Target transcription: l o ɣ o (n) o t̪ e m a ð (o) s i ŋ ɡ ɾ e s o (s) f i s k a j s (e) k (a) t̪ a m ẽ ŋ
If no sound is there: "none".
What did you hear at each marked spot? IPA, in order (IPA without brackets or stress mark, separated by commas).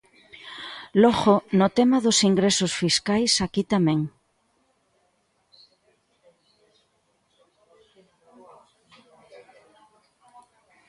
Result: n, o, s, a, i